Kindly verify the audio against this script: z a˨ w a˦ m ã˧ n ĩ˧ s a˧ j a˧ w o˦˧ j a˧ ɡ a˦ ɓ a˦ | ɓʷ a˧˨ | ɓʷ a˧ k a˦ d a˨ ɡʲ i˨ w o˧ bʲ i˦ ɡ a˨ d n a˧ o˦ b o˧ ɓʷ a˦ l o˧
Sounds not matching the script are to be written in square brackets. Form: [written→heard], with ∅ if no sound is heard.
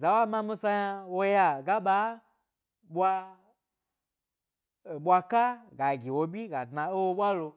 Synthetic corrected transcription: z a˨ w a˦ m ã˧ [n→m] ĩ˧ s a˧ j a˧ w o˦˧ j a˧ ɡ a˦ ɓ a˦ | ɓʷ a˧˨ | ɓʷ a˧ k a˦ [d→ɡ] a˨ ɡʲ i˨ w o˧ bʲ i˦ ɡ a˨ d n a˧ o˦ [b→w] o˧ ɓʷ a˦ l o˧